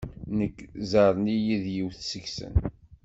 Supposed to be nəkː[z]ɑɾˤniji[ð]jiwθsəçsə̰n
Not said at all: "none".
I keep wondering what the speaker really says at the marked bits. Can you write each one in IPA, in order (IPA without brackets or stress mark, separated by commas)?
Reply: z, ð